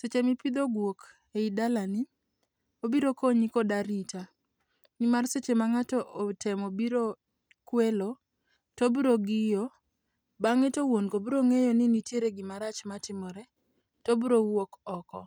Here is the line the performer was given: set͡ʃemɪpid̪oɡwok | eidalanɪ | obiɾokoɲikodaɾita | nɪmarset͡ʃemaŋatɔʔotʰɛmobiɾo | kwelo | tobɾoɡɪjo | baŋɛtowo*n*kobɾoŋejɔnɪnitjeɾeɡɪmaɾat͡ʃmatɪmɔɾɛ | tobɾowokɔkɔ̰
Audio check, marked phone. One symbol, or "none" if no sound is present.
n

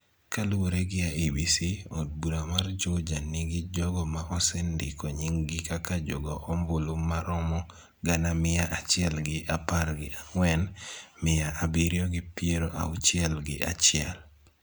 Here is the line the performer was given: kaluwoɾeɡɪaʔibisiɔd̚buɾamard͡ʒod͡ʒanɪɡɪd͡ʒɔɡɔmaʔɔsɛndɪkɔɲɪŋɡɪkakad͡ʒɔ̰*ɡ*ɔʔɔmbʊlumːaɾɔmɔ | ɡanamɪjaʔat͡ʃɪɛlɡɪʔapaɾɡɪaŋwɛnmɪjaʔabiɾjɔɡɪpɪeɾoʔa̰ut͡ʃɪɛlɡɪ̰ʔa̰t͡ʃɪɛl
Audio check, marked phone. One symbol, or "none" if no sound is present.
ɡ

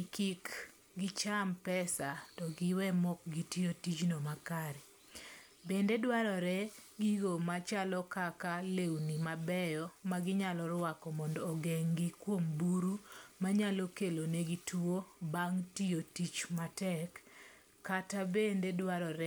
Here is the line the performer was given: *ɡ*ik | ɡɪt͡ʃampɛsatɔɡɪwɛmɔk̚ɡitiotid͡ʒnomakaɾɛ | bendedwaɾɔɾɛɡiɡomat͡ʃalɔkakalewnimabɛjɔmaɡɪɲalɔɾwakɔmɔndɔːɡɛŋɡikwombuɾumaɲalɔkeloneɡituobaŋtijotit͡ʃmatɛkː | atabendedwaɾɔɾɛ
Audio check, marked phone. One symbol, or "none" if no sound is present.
k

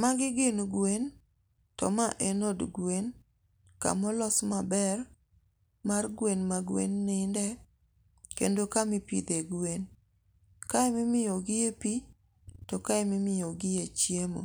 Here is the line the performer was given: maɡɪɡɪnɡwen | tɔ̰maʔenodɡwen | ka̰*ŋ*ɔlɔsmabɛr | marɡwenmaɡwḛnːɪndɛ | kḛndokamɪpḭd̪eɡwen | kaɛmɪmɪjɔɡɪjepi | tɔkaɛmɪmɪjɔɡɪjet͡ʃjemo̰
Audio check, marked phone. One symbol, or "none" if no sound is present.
m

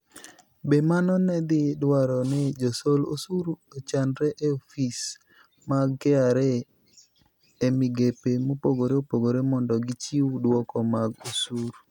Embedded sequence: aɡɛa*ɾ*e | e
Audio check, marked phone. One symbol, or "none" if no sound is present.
ɾ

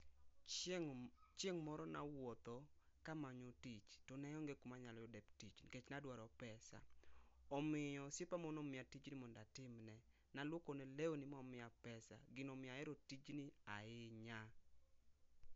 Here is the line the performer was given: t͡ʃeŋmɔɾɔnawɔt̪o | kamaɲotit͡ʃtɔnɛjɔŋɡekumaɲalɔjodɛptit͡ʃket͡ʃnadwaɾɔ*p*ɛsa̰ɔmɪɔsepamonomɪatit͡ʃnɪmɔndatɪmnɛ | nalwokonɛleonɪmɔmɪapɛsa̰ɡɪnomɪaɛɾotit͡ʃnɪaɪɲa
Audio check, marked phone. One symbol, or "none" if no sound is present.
p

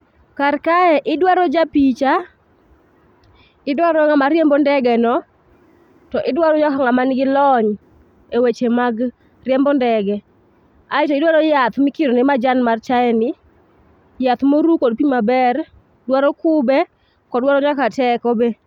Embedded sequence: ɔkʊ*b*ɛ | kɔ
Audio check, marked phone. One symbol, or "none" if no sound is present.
b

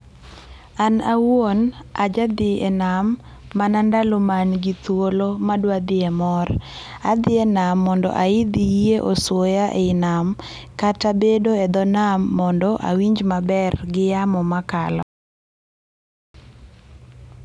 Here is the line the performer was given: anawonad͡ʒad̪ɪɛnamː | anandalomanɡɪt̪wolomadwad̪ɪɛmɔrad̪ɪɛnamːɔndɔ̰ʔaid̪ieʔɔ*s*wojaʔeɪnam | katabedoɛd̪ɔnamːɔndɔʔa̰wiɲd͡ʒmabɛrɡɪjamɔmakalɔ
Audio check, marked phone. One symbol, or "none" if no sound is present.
s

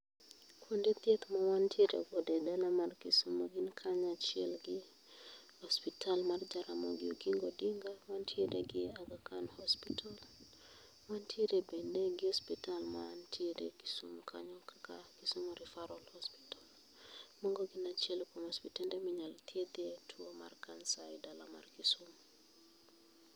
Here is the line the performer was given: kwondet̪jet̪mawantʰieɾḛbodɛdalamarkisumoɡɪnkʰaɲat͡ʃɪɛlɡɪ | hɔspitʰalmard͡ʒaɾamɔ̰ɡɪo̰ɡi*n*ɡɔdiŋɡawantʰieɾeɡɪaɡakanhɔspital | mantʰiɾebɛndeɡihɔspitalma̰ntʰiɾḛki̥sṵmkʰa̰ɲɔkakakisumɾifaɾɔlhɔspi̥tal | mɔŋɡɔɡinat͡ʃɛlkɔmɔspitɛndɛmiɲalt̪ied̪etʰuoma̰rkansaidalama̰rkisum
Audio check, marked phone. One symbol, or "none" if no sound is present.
ŋ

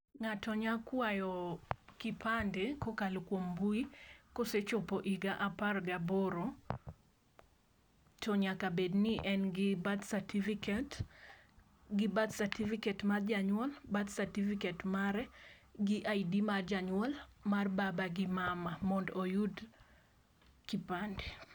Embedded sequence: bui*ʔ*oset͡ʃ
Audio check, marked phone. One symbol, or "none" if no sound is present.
k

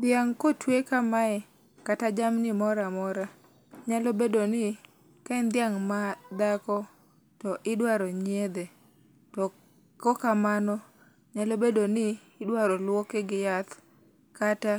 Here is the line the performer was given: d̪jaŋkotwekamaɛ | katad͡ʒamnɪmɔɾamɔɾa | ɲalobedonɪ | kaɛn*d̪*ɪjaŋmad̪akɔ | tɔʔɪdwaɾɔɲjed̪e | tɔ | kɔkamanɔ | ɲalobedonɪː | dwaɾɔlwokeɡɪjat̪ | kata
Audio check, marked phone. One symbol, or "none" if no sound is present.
d̪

